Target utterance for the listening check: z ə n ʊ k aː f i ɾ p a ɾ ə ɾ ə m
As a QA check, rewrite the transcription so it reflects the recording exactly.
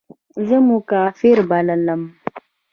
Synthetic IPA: z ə m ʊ k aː f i ɾ b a l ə l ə m